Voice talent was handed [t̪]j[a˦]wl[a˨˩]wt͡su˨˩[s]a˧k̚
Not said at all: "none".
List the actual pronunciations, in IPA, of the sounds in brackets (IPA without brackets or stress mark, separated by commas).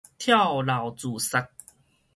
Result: t̪ʰ, a˥˨, a˨˩, s